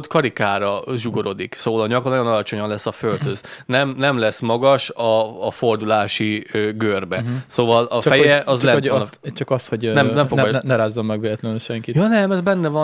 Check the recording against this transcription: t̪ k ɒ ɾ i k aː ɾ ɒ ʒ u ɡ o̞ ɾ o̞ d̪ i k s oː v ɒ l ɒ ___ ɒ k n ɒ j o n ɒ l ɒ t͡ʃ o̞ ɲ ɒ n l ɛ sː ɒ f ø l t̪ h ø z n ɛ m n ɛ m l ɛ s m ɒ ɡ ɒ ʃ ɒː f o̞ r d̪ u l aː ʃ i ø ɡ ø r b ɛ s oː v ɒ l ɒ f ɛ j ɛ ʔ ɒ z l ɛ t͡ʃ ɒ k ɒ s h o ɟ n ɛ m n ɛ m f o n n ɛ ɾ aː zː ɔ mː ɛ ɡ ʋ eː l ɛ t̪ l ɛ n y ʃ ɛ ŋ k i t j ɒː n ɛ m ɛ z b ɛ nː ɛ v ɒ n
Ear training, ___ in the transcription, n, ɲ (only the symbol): ɲ